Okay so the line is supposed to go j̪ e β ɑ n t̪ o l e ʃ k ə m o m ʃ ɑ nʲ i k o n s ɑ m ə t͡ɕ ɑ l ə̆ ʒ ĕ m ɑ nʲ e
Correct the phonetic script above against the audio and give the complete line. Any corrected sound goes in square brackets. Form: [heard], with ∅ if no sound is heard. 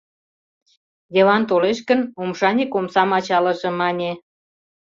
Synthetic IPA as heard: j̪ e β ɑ n t̪ o l e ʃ k ə [n] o m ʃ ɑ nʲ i k o [m] s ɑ m [ɑ] t͡ɕ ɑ l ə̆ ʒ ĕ m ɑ nʲ e